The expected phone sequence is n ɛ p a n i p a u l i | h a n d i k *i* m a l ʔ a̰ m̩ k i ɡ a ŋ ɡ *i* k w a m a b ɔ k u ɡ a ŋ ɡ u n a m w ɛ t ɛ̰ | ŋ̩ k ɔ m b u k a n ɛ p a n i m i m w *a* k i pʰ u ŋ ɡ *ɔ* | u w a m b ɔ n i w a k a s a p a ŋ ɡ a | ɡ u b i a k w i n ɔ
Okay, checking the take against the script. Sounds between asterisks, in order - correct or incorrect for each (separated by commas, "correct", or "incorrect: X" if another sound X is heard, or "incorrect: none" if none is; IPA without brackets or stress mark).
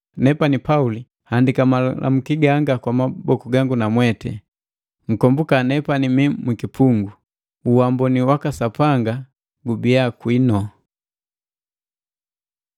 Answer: incorrect: a, incorrect: a, incorrect: i, incorrect: u